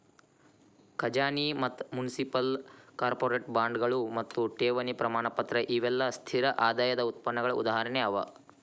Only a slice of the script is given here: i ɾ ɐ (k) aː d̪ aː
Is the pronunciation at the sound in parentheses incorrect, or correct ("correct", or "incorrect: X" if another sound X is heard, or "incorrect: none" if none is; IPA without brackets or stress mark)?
incorrect: ʔ